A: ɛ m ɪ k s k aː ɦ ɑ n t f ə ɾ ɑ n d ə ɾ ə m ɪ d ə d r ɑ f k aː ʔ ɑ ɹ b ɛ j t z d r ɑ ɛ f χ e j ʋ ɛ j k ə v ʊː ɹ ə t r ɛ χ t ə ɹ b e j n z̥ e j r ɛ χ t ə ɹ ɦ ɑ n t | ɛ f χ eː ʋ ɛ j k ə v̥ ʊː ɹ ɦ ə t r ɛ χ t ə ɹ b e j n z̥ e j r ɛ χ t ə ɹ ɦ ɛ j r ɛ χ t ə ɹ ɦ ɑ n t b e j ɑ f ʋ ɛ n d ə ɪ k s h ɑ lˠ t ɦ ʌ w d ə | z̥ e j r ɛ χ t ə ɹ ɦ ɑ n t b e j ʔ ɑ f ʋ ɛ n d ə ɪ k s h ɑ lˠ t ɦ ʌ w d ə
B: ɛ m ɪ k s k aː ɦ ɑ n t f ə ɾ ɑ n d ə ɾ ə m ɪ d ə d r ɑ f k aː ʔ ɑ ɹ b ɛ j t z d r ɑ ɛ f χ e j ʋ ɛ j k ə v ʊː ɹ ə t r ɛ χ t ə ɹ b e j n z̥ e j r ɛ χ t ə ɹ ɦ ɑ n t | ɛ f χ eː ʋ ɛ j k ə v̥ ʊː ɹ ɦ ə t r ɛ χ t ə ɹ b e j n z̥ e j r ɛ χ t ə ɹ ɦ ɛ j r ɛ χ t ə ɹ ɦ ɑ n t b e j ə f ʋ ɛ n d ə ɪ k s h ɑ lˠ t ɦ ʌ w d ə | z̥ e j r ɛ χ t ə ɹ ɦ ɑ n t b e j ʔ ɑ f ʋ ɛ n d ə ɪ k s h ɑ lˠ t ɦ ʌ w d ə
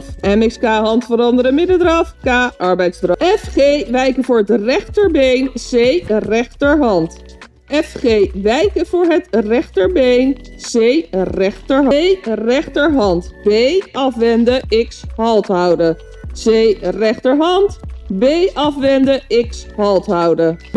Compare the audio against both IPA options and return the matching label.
A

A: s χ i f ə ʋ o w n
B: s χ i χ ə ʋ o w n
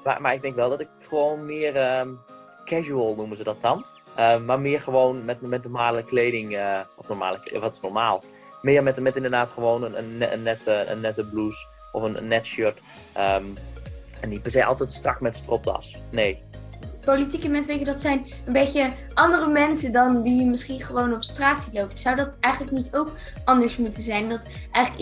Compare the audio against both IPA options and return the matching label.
B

